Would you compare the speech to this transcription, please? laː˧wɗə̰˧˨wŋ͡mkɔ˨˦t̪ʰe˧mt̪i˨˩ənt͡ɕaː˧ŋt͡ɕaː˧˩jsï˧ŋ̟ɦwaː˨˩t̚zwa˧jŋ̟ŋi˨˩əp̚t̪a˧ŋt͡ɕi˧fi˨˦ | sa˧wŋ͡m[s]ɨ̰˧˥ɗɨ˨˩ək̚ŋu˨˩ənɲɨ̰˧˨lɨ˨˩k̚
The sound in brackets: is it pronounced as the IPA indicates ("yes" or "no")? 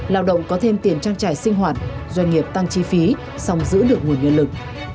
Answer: no